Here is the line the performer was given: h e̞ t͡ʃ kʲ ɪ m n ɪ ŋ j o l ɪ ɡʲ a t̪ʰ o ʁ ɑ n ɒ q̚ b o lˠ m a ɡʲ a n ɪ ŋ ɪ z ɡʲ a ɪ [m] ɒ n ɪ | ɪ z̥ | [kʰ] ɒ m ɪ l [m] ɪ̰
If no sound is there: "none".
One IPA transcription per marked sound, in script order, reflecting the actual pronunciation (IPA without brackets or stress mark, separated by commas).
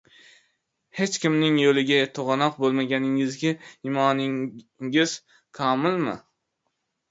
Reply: m, kʰ, m